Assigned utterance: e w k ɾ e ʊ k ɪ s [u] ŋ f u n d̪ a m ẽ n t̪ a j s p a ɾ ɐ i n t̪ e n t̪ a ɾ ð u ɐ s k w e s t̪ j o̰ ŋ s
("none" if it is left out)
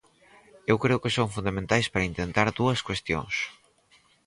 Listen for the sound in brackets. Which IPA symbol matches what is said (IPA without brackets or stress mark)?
o